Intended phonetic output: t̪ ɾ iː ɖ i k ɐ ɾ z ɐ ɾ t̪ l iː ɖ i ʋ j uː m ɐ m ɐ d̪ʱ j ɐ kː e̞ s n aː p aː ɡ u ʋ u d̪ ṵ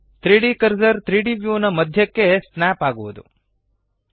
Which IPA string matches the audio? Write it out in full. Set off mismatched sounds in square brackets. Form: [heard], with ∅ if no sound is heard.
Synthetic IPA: t̪ ɾ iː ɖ i k ɐ ɾ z ɐ ɾ t̪ [ɾ] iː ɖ i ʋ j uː [n] ɐ m ɐ d̪ʱ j ɐ kː e̞ s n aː p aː ɡ u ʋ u d̪ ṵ